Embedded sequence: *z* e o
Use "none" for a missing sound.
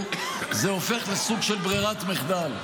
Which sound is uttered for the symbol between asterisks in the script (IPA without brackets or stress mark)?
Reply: z